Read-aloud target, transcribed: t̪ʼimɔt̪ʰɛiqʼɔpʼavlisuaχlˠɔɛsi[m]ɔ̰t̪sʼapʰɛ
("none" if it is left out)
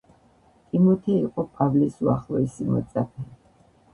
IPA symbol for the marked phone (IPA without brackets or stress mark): m